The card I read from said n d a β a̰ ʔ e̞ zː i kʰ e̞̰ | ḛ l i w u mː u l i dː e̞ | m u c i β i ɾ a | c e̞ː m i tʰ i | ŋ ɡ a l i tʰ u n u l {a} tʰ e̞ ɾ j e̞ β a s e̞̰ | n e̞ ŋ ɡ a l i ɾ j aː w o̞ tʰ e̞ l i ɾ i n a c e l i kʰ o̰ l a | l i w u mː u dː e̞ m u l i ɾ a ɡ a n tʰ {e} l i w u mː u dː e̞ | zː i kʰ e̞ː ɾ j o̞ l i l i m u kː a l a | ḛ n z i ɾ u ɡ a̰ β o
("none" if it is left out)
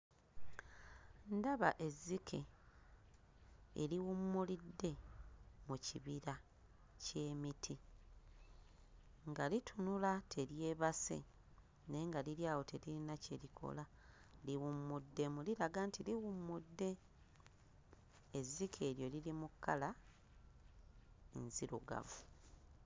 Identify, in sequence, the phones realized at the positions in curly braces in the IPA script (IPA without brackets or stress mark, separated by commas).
a, i